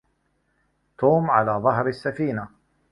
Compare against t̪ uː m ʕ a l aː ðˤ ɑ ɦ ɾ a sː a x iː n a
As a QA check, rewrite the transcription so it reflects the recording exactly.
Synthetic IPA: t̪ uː m ʕ a l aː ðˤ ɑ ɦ ɾ a sː a f iː n a